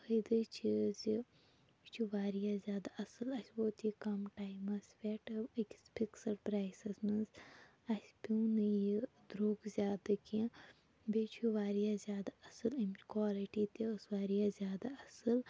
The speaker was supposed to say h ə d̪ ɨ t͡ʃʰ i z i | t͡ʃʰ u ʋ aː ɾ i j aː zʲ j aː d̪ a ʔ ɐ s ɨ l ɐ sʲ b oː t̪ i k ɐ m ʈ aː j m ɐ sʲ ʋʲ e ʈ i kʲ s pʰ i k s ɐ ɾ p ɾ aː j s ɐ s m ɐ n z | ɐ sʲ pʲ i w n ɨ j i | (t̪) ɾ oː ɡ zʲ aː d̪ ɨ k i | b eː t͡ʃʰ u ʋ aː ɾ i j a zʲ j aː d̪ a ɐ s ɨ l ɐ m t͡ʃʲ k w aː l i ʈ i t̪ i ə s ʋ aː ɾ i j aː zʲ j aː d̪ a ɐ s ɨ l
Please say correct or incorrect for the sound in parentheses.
incorrect